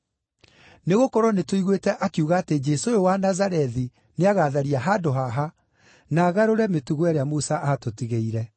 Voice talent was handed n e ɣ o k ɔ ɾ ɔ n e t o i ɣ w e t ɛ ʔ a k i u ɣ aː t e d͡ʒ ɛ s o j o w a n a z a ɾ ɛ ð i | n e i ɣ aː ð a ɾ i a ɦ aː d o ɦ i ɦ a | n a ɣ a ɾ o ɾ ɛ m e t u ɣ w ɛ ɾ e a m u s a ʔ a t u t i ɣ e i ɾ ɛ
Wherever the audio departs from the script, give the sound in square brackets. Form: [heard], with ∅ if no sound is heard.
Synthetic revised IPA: n e ɣ o k ɔ ɾ ɔ n e t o i ɣ w e t ɛ ʔ a k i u ɣ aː t e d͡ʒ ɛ s o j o w a n a z a ɾ ɛ ð i | n e [a] ɣ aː ð a ɾ i a ɦ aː d o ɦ [a] ɦ a | n a ɣ a ɾ o ɾ ɛ m e t u ɣ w ɛ ɾ e a m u s a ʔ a t [o] t i ɣ e i ɾ ɛ